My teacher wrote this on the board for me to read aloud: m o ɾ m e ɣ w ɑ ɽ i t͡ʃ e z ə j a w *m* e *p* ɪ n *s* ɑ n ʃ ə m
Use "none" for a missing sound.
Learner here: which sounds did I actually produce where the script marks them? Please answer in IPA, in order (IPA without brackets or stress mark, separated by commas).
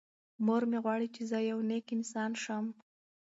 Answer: n, k, s